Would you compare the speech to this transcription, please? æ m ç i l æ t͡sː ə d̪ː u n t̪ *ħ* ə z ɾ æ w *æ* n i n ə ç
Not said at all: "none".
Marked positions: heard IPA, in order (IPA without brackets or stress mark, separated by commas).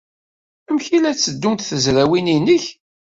θ, i